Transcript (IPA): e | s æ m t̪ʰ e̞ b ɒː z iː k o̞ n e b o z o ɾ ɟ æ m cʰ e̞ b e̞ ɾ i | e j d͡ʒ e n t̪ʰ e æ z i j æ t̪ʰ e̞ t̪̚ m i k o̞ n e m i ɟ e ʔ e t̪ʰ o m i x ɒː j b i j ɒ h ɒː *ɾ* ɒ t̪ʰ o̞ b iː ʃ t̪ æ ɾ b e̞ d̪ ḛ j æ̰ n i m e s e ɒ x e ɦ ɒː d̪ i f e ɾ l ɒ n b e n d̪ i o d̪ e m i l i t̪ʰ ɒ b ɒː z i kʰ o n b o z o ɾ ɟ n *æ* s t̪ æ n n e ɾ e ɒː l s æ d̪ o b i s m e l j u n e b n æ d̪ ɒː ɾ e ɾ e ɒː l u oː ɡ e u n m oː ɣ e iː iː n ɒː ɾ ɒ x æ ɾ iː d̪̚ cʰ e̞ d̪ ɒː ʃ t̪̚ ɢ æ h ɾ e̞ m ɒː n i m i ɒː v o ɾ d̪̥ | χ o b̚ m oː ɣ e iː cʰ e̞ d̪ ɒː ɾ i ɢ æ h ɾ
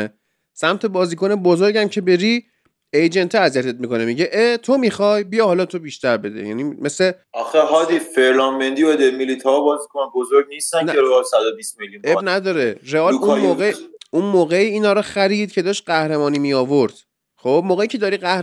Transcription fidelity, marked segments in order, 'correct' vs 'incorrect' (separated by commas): incorrect, incorrect